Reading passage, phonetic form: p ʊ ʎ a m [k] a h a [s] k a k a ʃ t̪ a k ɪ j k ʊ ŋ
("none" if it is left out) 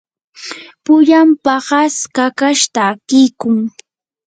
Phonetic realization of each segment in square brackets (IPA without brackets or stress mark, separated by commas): p, s